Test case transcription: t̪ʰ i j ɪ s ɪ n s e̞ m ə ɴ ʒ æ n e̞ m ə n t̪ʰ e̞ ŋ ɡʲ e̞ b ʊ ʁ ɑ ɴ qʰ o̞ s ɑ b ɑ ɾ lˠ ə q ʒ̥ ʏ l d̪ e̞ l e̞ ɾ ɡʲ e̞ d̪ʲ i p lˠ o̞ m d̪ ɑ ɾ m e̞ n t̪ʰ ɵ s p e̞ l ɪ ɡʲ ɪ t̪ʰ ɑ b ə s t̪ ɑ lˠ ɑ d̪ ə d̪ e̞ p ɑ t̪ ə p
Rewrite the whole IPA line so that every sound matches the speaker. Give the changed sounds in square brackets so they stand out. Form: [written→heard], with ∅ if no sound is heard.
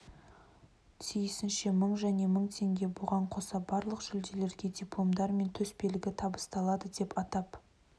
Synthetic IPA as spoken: t̪ʰ i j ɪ s ɪ n [s→ʃ] e̞ m ə ɴ ʒ æ n e̞ m ə [n→ɴ] t̪ʰ e̞ ŋ ɡʲ e̞ b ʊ ʁ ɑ ɴ qʰ o̞ s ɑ b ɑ ɾ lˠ ə q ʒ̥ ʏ l d̪ e̞ l e̞ ɾ ɡʲ e̞ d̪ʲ i p lˠ o̞ m d̪ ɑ ɾ m e̞ n t̪ʰ ɵ s p e̞ l ɪ ɡʲ ɪ t̪ʰ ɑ b ə s t̪ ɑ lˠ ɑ d̪ ə d̪ e̞ p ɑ t̪ [ə→ɑ] p